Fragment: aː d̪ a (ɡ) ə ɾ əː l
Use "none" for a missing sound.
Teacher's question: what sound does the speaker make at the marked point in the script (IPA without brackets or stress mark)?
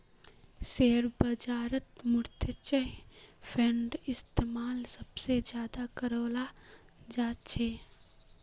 k